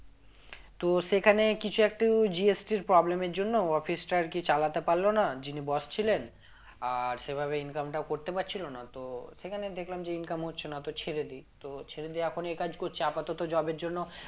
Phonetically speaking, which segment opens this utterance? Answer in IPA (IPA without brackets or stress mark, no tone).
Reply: t̪